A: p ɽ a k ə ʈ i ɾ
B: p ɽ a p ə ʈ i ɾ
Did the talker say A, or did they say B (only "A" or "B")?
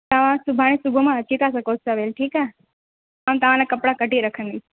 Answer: A